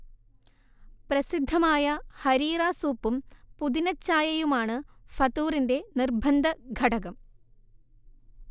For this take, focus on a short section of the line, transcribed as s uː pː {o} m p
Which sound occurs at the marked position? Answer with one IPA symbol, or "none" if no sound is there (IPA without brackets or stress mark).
u